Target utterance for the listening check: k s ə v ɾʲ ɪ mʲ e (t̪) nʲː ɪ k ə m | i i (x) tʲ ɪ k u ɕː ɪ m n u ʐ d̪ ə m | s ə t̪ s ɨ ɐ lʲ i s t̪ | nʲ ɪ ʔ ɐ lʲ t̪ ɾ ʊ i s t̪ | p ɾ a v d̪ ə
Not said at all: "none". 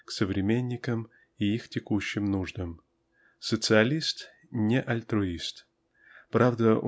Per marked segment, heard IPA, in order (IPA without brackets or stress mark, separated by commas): none, x